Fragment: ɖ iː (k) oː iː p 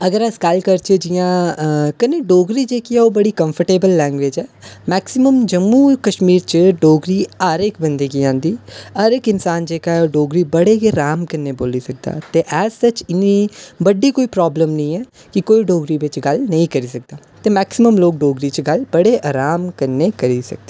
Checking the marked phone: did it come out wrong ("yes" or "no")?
no